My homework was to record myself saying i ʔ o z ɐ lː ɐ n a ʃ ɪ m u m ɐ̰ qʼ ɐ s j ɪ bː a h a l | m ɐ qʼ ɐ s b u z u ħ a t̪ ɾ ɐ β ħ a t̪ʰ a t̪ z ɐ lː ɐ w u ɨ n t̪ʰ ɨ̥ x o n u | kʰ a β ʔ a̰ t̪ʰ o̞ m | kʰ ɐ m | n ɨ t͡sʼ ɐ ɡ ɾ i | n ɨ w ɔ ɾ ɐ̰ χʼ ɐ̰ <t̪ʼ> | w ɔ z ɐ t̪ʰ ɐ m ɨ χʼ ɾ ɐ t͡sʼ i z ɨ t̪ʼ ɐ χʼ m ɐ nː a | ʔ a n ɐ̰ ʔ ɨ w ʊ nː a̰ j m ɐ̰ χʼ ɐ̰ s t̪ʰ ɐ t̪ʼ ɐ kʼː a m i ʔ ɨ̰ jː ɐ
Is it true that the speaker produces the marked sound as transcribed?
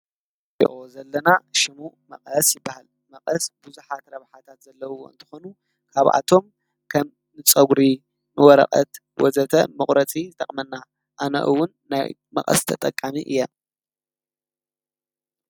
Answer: no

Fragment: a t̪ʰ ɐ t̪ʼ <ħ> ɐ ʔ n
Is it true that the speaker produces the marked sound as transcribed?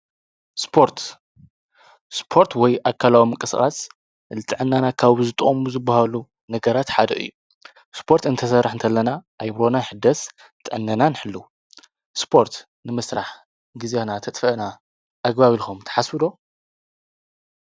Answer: no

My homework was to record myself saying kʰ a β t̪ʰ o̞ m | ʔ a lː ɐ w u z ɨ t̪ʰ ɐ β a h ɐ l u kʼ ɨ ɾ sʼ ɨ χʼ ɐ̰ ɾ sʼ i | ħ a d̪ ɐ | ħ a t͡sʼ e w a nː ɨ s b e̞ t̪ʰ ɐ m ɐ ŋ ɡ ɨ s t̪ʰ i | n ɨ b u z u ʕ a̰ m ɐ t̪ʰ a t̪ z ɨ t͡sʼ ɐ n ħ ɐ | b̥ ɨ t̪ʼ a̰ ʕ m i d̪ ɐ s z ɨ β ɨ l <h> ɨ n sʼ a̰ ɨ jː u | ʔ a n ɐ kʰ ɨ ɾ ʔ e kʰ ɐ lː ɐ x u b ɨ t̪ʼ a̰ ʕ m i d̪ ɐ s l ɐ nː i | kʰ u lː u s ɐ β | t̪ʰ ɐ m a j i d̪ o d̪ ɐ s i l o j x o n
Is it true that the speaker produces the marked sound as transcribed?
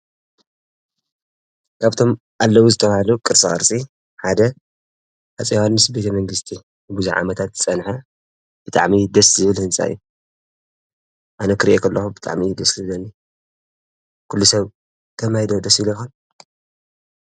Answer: yes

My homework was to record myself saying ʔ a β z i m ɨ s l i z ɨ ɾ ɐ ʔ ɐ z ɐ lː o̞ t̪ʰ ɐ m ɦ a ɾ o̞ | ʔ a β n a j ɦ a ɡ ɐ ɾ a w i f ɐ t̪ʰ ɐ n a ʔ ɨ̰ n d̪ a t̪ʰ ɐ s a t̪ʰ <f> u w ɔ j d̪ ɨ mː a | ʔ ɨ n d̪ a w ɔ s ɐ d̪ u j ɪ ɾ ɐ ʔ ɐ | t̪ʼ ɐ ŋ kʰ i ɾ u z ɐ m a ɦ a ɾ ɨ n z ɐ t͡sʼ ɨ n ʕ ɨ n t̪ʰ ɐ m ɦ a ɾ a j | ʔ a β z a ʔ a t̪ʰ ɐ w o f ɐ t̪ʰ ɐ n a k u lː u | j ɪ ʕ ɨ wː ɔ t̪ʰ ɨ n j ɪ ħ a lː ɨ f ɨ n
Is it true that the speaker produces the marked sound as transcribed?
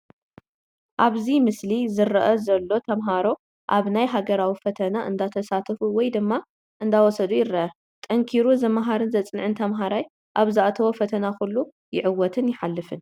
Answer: yes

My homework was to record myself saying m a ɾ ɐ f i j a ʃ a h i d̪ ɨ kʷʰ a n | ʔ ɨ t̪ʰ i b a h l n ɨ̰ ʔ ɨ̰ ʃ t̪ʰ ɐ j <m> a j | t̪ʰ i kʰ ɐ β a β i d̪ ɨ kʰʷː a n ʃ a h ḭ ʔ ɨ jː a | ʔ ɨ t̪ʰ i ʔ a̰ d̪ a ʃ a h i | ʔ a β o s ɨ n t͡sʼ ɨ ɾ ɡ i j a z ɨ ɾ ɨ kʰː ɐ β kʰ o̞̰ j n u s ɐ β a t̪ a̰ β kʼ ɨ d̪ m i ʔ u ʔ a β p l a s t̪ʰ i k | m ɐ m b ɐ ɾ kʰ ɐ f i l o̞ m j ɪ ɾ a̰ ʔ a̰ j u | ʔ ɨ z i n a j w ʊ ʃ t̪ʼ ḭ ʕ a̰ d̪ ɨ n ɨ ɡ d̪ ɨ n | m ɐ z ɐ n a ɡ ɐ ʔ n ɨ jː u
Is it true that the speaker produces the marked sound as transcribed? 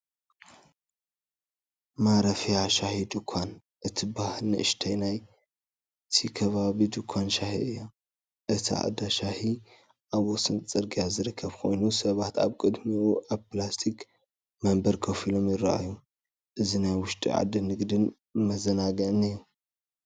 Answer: no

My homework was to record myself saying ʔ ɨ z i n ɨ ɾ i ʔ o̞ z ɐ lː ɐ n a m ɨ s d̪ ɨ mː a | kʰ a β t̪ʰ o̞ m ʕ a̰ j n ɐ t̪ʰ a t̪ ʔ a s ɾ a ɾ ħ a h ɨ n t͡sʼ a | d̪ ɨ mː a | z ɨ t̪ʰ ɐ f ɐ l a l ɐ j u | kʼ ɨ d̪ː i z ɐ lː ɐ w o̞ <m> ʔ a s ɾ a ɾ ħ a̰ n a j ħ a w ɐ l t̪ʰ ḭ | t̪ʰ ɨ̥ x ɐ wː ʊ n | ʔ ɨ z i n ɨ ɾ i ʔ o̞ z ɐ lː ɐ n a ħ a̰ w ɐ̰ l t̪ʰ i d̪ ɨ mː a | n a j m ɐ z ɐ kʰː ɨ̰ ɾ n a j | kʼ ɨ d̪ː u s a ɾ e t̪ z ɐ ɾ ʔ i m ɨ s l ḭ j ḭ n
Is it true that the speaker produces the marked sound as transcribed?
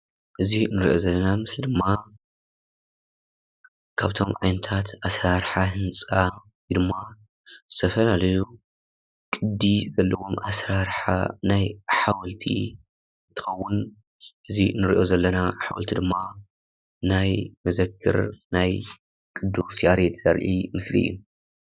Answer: yes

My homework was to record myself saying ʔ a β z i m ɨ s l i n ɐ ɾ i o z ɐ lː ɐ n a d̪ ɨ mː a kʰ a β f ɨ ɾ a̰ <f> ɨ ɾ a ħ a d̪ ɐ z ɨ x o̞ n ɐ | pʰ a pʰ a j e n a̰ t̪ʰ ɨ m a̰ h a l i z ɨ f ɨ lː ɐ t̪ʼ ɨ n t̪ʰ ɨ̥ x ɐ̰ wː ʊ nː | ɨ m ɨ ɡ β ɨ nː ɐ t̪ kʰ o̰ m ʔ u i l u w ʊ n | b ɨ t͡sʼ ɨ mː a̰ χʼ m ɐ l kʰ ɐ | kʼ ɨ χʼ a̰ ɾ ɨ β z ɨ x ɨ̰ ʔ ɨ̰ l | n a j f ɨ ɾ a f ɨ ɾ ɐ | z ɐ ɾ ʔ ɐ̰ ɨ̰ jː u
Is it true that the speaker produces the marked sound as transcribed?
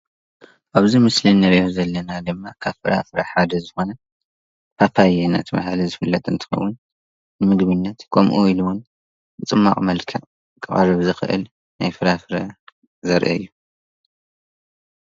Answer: yes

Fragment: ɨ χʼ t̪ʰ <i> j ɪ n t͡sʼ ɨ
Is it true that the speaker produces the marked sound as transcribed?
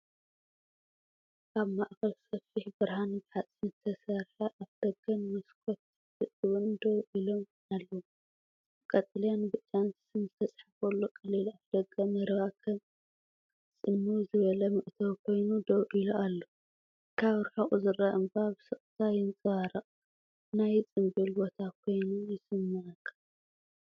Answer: no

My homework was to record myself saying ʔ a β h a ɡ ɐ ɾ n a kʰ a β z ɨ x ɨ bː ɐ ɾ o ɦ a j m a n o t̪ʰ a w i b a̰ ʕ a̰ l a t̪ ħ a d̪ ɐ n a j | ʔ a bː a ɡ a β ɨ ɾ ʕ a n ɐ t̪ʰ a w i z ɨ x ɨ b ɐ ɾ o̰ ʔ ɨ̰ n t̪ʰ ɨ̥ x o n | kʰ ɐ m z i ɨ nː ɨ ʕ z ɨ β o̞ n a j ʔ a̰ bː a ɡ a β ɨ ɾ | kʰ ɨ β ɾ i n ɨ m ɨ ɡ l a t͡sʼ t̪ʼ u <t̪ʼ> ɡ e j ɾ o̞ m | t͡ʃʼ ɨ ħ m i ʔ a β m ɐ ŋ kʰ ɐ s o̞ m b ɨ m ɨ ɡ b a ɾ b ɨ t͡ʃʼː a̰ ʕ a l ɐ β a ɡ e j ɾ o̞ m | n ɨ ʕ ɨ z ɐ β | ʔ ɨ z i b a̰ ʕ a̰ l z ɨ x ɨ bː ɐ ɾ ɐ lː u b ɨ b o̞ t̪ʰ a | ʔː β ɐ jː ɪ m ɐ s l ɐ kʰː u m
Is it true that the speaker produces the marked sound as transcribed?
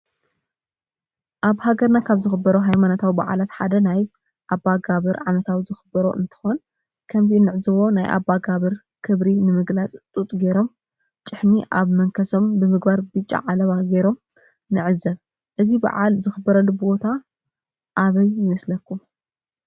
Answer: yes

